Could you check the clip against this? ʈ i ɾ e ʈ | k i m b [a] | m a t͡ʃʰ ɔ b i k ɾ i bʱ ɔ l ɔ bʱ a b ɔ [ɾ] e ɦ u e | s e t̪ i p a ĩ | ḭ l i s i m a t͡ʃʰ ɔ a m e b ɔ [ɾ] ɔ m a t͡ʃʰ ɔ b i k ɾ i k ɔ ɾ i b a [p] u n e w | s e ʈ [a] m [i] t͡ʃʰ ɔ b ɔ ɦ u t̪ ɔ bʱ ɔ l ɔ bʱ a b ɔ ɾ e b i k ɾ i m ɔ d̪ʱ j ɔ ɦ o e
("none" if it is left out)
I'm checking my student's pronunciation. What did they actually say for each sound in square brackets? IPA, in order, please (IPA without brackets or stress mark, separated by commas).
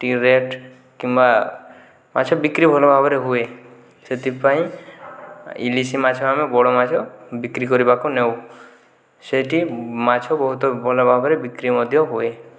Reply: a, ɾ, ɽ, k, i, a